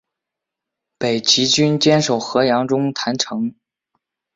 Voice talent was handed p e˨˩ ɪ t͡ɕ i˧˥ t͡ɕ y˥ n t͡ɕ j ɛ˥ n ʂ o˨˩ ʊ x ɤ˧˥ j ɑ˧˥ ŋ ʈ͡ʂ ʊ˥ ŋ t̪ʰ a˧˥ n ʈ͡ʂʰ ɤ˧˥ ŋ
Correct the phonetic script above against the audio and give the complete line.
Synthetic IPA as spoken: p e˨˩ ɪ t͡ɕ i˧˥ t͡ɕ y˥ n t͡ɕ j ɛ˥ n ʂ o˨˩ ʊ x ɤ˧˥ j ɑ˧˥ ŋ ʈ͡ʂ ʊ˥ ŋ t̪ʰ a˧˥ n ʈ͡ʂʰ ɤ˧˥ ŋ